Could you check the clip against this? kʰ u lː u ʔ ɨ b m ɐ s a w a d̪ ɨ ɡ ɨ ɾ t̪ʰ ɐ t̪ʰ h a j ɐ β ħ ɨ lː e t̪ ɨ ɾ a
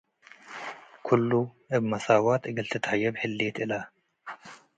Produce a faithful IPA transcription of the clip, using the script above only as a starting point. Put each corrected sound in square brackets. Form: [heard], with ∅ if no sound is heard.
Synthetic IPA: kʰ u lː u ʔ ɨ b m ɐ s a w a [t̪] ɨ ɡ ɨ [l] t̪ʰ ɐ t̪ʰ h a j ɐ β ħ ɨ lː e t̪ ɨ [l] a